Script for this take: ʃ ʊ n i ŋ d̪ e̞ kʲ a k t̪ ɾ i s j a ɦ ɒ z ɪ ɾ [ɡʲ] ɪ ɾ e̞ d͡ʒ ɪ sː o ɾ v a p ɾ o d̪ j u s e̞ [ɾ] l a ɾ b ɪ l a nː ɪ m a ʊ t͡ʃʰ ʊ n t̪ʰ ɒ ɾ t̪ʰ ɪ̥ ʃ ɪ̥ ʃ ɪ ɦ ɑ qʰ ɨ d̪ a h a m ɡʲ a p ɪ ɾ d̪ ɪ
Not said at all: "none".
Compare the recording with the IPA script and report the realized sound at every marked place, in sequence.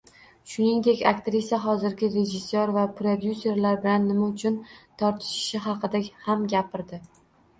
ɡʲ, ɾ

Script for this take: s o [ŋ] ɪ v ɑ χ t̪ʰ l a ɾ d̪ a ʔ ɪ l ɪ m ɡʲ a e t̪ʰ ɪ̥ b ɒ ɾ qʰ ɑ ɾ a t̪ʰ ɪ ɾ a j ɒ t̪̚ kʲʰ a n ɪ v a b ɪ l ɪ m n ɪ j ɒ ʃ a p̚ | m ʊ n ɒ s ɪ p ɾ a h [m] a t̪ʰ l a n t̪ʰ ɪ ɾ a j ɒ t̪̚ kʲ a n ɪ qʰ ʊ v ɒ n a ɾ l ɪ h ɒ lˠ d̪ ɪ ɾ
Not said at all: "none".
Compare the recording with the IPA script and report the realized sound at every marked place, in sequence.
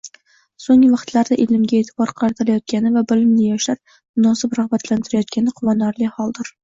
ŋ, b

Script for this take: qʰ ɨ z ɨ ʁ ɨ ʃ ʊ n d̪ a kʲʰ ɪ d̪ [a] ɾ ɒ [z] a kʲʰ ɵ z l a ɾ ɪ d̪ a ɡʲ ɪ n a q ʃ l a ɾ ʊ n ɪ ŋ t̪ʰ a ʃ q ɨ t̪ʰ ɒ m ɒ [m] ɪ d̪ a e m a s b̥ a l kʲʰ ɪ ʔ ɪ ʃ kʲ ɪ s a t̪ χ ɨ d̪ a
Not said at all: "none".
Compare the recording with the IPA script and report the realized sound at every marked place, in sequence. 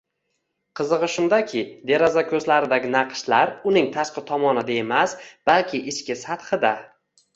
e, z, n

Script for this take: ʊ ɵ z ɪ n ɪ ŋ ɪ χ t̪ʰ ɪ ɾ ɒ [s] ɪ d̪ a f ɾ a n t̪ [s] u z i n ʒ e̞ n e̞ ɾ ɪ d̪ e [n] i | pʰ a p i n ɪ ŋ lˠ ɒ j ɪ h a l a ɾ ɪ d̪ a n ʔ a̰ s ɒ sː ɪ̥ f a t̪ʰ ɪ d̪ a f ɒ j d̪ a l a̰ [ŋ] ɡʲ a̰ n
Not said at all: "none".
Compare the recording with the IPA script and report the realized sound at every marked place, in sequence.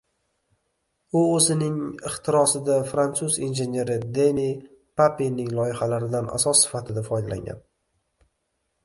s, s, n, ŋ

